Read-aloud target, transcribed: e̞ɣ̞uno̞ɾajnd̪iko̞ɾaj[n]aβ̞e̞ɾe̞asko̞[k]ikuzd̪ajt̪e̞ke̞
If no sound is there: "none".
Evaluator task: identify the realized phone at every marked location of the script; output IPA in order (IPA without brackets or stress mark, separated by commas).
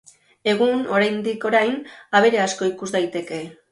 n, none